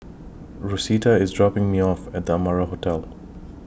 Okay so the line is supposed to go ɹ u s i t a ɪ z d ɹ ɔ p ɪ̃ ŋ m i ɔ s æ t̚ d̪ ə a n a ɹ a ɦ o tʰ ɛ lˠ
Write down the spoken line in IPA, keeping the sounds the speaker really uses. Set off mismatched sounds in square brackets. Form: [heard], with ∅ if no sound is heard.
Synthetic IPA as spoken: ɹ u s i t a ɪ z d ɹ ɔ p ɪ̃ ŋ m i ɔ [f] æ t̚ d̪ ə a [m] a ɹ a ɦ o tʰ ɛ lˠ